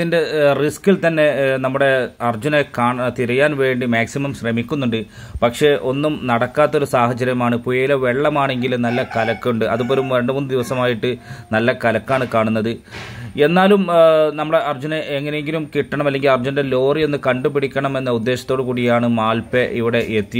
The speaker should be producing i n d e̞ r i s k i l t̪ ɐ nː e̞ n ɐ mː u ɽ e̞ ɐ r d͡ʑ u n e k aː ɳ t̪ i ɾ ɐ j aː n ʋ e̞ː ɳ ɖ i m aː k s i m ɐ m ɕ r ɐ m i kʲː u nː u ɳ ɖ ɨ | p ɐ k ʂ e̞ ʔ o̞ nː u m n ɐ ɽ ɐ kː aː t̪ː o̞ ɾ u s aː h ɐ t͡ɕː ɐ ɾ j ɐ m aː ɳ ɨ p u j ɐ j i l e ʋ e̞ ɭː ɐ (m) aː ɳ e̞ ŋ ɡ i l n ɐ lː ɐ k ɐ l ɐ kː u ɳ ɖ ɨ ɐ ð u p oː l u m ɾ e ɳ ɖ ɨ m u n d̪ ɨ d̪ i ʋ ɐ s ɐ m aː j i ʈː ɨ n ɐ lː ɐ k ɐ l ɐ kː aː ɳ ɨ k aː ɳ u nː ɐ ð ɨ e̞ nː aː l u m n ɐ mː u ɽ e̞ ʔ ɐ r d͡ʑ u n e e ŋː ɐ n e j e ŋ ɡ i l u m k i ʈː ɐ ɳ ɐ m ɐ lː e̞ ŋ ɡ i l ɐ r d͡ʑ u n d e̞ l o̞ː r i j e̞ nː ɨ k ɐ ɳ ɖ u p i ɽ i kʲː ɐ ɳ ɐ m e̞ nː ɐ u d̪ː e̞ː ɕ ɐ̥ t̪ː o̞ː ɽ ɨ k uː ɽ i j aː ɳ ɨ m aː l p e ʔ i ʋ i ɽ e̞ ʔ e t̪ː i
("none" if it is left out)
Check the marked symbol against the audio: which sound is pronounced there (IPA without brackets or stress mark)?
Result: m